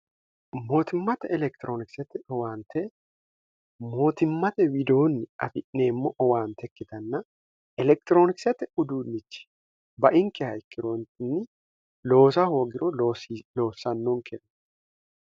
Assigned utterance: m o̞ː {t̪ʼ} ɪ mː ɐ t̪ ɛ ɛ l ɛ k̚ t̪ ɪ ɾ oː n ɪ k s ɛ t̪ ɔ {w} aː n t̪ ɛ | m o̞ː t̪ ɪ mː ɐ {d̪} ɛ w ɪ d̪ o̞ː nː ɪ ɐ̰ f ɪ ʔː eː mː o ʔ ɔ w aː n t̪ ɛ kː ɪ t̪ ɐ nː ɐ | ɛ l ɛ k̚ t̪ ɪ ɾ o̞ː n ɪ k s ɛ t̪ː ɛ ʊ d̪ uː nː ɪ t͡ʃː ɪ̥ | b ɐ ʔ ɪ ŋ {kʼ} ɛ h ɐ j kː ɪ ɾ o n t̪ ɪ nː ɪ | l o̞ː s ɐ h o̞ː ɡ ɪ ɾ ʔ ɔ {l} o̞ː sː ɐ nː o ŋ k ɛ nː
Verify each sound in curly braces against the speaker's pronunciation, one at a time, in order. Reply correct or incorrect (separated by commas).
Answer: incorrect, correct, incorrect, incorrect, correct